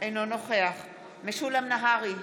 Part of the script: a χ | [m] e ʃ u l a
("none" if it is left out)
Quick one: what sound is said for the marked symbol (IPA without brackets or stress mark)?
m